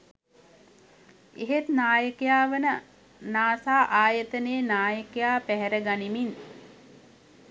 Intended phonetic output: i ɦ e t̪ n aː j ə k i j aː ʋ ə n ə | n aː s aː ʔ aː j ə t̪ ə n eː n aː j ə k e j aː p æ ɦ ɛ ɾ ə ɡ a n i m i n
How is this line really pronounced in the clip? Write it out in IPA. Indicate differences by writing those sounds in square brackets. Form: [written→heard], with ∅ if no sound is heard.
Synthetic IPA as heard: [i→e] ɦ e t̪ n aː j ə k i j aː ʋ ə n ə | n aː s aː ʔ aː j ə t̪ ə n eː n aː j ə k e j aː p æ ɦ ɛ ɾ ə ɡ a n i m i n